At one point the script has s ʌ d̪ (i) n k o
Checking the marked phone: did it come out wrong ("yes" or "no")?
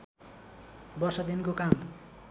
no